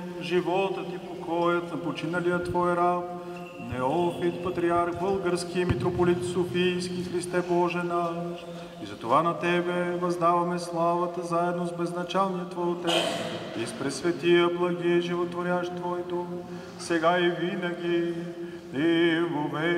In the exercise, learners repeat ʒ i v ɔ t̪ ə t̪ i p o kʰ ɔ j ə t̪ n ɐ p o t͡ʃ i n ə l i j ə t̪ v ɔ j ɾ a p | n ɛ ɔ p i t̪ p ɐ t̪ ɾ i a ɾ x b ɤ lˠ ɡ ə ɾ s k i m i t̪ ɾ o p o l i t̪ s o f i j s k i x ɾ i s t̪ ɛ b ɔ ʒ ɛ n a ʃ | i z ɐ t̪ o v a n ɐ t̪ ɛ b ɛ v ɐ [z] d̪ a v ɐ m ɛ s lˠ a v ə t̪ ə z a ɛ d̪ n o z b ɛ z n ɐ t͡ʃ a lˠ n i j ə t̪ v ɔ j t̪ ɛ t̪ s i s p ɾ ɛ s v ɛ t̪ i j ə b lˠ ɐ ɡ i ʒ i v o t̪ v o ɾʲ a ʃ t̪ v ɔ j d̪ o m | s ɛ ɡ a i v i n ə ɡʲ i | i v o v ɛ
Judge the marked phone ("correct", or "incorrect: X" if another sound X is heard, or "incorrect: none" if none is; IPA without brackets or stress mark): correct